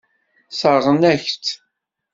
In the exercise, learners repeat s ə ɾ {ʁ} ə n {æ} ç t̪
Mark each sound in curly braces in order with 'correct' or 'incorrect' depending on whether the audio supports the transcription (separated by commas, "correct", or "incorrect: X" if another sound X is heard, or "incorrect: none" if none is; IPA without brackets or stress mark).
correct, correct